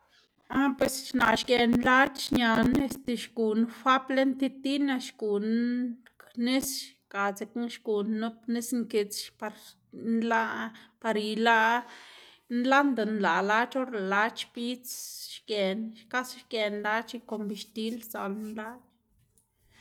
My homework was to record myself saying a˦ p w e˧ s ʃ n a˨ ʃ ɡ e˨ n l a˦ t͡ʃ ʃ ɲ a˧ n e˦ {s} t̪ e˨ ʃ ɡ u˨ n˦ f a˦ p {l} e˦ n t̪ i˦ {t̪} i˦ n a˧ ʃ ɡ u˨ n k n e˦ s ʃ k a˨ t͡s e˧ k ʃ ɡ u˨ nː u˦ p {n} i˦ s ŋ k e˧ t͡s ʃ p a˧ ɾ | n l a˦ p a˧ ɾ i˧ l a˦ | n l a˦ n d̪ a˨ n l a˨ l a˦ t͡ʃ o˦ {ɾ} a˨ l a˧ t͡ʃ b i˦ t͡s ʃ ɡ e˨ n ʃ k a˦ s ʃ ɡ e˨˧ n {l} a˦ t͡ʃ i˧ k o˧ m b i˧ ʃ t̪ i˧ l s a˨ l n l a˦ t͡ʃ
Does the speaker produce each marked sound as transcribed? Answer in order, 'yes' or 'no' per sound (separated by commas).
yes, yes, yes, yes, yes, yes